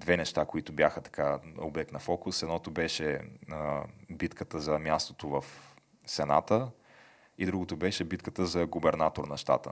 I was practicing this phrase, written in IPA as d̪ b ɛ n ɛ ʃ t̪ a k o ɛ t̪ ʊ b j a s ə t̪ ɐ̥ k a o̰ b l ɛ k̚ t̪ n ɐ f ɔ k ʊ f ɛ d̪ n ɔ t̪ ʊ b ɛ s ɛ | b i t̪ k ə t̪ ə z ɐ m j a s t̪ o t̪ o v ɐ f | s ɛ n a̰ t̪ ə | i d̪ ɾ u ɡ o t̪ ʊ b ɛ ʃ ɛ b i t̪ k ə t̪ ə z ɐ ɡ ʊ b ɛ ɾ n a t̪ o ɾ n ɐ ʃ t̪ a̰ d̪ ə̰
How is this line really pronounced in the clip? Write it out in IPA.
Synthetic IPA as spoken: d̪ v ɛ n ɛ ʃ t̪ a k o i t̪ ʊ b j a x ə t̪ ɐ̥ k a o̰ b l ɛ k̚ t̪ n ɐ f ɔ k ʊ s ɛ d̪ n ɔ t̪ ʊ b ɛ ʃ ɛ | b i t̪ k ə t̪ ə z ɐ m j a s t̪ o t̪ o v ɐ f | s ɛ n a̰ t̪ ə | i d̪ ɾ u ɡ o t̪ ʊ b ɛ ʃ ɛ b i t̪ k ə t̪ ə z ɐ ɡ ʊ b ɛ ɾ n a t̪ o ɾ n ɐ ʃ t̪ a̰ t̪ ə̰